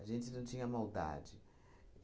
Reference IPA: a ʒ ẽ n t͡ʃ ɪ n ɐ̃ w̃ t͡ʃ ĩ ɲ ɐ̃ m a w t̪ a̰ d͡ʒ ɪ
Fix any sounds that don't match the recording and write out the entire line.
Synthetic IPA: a ʒ ẽ n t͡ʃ ɪ n ɐ̃ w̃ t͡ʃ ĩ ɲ ɐ m a w d̪ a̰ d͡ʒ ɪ